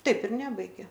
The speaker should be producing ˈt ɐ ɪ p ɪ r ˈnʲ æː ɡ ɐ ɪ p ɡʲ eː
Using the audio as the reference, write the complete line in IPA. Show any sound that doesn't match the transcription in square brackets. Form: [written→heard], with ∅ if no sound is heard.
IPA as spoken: ˈt ɐ ɪ p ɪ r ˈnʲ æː [ɡ→b] ɐ ɪ [p→∅] ɡʲ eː

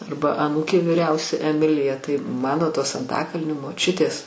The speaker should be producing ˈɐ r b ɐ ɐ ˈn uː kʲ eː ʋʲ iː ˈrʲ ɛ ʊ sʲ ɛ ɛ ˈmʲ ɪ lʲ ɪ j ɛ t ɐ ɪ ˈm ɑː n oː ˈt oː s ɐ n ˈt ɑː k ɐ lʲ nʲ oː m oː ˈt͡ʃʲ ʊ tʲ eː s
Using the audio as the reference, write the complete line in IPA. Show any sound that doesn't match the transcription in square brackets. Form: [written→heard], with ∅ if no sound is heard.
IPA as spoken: ˈɐ r b ɐ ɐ ˈn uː kʲ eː ʋʲ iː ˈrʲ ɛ ʊ sʲ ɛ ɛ ˈmʲ ɪ lʲ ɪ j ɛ t ɐ ɪ ˈm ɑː n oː ˈt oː s ɐ n ˈt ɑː k ɐ lʲ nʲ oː m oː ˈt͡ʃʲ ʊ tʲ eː s

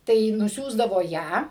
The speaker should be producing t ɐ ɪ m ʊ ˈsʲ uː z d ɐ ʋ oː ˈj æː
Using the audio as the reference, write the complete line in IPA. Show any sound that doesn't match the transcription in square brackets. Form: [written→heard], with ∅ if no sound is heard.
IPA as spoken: t ɐ ɪ [m→n] ʊ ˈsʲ uː z d ɐ ʋ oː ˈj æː

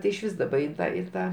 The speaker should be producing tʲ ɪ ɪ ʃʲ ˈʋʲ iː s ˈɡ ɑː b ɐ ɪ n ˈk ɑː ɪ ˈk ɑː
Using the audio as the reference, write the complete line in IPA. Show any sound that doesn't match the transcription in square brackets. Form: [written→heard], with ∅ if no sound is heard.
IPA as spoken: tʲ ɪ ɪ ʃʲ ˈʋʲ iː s [ˈɡ→ˈd] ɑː b ɐ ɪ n [ˈk→ˈt] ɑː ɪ [ˈk→ˈt] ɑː

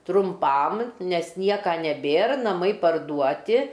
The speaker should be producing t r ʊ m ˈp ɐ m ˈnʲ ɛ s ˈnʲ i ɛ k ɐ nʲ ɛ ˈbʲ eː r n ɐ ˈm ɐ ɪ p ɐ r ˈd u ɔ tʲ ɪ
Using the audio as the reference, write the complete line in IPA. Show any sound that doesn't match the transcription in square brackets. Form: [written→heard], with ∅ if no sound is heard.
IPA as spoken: t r ʊ m ˈp ɐ m ˈnʲ ɛ s ˈnʲ i ɛ k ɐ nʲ ɛ ˈbʲ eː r n ɐ ˈm ɐ ɪ p ɐ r ˈd u ɔ tʲ ɪ

